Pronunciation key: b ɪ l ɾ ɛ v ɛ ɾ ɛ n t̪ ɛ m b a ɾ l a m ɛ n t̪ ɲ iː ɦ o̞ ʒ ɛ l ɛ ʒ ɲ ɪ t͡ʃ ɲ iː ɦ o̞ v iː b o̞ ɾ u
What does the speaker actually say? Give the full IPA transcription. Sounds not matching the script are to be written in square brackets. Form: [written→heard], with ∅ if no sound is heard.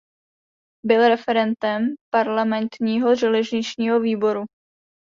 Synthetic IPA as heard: b ɪ l ɾ ɛ [v→f] ɛ ɾ ɛ n t̪ ɛ m [b→p] a ɾ l a m ɛ n t̪ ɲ iː ɦ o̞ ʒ ɛ l ɛ ʒ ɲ ɪ t͡ʃ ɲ iː ɦ o̞ v iː b o̞ ɾ u

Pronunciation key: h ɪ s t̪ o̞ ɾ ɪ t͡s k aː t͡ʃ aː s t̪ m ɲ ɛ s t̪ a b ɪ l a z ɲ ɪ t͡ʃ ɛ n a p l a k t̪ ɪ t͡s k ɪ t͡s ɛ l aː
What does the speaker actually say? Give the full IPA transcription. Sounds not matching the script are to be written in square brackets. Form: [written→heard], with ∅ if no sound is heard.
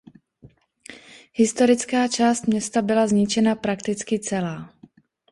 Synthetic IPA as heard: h ɪ s t̪ o̞ ɾ ɪ t͡s k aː t͡ʃ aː s t̪ m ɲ ɛ s t̪ a b ɪ l a z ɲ ɪ t͡ʃ ɛ n a p [l→ɾ] a k t̪ ɪ t͡s k ɪ t͡s ɛ l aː

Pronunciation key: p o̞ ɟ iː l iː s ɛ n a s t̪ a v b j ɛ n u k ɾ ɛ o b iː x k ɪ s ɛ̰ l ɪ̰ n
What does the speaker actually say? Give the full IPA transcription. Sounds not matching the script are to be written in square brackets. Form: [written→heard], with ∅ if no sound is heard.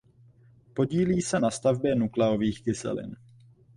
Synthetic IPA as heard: p o̞ ɟ iː l iː s ɛ n a s t̪ a v b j ɛ n u k [ɾ→l] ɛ o [b→v] iː x k ɪ s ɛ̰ l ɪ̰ n

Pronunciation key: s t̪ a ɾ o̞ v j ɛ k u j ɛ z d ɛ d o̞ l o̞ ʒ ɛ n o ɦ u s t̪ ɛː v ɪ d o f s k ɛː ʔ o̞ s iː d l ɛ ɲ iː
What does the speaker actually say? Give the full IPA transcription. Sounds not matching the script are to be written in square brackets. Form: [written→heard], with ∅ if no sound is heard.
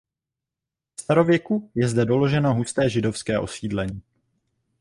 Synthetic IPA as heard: s t̪ a ɾ o̞ v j ɛ k u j ɛ z d ɛ d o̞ l o̞ ʒ ɛ n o ɦ u s t̪ ɛː [v→ʒ] ɪ d o f s k ɛː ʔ o̞ s iː d l ɛ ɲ iː

